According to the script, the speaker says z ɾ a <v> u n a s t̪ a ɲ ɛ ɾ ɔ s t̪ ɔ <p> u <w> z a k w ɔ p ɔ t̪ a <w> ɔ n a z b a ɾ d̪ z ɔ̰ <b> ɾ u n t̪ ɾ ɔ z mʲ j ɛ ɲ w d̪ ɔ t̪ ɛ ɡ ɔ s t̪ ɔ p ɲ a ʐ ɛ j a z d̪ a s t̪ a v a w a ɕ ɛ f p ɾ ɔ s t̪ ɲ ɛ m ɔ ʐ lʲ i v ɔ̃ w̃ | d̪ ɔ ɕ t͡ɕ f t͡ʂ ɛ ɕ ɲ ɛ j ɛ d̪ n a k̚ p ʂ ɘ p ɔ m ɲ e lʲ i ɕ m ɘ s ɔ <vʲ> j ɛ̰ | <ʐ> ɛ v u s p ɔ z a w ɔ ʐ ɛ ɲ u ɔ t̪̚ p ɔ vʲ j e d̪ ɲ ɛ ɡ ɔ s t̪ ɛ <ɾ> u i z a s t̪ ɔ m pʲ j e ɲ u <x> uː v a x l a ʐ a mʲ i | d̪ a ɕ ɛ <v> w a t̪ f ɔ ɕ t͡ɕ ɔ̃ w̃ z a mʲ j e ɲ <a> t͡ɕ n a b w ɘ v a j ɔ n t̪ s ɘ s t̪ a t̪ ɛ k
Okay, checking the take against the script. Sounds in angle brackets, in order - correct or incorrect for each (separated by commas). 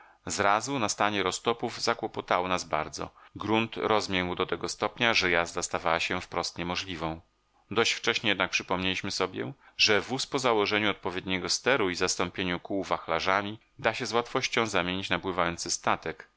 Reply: incorrect, correct, incorrect, correct, incorrect, incorrect, correct, correct, incorrect, incorrect, incorrect